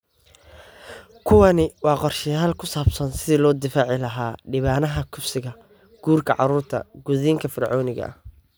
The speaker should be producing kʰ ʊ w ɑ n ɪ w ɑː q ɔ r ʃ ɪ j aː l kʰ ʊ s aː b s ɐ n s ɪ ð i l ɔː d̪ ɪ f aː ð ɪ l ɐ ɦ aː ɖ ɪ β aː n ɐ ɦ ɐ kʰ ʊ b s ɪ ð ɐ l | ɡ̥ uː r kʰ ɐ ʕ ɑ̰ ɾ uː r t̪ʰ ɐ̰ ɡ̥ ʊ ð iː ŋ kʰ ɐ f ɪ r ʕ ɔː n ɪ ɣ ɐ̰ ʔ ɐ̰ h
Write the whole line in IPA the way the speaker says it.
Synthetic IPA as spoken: kʰ ʊ w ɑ n ɪ w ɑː q ɔ r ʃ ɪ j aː l kʰ ʊ s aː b s ɐ n s ɪ ð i l ɔː d̪ ɪ f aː ʕ ɪ l ɐ ɦ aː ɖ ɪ β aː n ɐ ɦ ɐ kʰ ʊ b s ɪ ɣ ɐ | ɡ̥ uː r kʰ ɐ ʕ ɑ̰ ɾ uː r t̪ʰ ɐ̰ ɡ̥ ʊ ð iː ŋ kʰ ɐ f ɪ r ʕ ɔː n ɪ ɣ ɐ̰ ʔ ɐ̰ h